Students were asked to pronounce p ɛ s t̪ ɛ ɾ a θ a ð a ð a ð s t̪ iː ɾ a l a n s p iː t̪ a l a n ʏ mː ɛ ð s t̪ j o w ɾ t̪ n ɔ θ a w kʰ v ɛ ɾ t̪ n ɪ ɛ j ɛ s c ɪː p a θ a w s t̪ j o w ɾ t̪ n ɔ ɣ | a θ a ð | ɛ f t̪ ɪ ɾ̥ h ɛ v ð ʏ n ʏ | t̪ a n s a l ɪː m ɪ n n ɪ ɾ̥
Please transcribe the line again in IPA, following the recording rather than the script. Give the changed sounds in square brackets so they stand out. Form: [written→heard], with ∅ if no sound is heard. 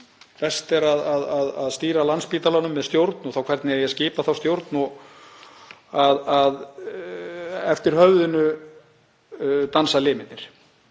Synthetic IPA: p ɛ s t̪ ɛ ɾ a [θ→ð] a ð a ð a ð s t̪ iː ɾ a l a n s p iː t̪ a l a n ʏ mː ɛ ð s t̪ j o w ɾ t̪ n ɔ θ a w kʰ v ɛ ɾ t̪ n ɪ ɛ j ɛ s c ɪː p a θ a w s t̪ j o w ɾ t̪ n ɔ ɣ | a [θ→ð] a ð | ɛ f t̪ ɪ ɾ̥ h [ɛ→œ] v ð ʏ n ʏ | t̪ a n s a l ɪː m ɪ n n ɪ ɾ̥

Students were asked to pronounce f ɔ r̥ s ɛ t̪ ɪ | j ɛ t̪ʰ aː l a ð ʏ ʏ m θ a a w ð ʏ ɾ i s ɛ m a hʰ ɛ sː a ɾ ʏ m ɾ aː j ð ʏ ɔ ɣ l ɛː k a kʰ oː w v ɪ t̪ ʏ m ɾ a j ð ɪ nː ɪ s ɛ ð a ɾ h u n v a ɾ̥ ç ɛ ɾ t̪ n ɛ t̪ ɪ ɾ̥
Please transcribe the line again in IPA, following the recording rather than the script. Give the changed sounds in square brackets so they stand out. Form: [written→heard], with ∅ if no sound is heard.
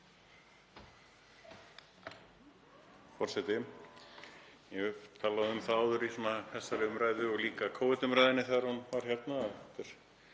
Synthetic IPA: f ɔ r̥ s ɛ t̪ ɪ | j ɛ t̪ʰ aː l a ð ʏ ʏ m θ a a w ð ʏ ɾ i s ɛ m a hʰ ɛ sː a ɾ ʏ m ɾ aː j ð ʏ ɔ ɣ l [ɛː→iː] k a kʰ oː w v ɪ t̪ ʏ m ɾ a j ð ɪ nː ɪ [s→θ] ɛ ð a ɾ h u n v a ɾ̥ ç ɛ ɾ t̪ n [ɛ→a] t̪ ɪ ɾ̥

